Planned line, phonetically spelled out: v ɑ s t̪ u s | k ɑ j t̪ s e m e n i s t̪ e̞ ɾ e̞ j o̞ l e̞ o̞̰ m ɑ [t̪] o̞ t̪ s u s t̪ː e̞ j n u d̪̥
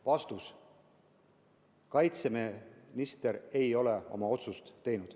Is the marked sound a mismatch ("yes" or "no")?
yes